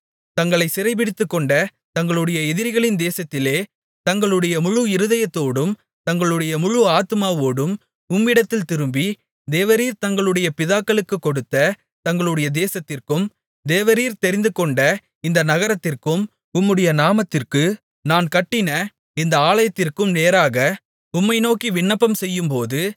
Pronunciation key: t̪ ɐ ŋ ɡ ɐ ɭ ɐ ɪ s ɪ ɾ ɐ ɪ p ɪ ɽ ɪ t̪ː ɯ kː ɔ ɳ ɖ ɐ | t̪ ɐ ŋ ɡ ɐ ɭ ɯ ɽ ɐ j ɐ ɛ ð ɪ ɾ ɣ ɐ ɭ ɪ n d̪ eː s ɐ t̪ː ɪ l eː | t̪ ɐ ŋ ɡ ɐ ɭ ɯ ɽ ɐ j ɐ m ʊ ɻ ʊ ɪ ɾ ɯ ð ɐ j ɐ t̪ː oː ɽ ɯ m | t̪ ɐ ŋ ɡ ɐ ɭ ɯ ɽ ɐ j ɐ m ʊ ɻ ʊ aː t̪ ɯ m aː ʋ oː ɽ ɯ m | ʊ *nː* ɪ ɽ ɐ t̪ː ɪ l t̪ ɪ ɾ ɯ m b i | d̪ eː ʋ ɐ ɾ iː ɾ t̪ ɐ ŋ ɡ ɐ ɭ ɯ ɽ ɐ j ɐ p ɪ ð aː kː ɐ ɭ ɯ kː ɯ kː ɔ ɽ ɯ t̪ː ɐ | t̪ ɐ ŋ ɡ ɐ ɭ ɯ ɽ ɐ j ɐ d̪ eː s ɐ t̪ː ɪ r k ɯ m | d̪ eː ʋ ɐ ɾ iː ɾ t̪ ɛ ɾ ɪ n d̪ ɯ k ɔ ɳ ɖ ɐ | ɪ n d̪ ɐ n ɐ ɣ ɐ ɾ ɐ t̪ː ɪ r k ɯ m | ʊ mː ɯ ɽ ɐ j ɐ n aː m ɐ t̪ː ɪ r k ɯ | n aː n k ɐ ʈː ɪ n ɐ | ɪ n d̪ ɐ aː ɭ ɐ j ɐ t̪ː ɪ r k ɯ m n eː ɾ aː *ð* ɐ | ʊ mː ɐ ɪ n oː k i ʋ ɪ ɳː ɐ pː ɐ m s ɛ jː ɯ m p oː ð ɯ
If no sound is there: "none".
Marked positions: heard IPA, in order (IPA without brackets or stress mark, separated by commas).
mː, ɣ